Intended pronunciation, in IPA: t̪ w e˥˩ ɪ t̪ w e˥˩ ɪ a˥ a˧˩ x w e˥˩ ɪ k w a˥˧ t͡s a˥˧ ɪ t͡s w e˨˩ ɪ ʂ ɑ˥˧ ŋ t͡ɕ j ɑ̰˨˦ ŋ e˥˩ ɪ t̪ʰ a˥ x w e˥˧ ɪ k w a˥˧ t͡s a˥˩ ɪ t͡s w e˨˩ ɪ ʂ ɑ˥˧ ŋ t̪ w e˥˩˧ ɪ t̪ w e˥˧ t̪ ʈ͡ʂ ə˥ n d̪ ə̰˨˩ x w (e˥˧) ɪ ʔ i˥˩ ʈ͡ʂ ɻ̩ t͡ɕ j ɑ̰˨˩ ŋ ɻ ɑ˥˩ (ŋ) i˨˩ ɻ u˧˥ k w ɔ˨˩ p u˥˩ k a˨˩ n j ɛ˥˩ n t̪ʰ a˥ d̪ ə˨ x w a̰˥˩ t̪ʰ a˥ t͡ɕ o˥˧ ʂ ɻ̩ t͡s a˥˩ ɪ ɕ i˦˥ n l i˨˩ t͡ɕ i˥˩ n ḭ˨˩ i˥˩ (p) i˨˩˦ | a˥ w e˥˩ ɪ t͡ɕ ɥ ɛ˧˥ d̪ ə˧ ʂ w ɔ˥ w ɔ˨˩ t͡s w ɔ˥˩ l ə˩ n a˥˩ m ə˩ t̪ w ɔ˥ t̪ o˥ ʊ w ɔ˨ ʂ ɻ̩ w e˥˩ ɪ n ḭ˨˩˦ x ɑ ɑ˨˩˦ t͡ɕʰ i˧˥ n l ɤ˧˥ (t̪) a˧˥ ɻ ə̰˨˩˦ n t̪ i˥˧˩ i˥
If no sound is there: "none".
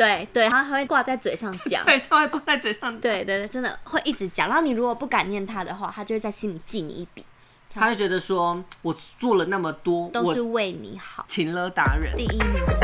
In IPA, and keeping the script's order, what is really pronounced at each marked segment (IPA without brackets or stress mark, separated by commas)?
e˥˧, n, p, t̪